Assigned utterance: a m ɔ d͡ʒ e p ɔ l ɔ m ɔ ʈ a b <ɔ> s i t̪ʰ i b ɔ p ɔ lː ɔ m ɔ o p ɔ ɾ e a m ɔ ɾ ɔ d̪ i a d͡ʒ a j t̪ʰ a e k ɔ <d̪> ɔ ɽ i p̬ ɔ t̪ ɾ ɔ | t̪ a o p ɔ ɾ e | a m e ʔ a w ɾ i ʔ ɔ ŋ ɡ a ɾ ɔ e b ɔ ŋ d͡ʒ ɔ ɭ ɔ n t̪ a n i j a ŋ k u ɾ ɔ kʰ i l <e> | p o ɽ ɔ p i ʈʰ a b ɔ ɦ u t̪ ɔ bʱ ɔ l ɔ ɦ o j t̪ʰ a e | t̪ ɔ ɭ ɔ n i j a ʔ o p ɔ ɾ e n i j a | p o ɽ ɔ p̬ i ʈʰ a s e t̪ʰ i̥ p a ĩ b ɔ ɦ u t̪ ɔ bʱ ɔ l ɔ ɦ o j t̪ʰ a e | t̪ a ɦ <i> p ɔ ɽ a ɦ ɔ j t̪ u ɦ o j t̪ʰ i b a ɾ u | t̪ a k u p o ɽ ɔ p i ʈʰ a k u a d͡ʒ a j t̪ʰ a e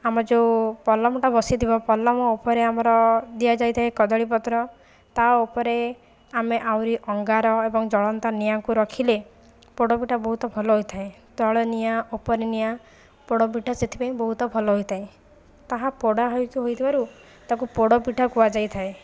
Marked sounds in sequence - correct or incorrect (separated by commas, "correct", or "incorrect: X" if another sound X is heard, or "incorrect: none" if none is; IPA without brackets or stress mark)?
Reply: correct, correct, correct, incorrect: a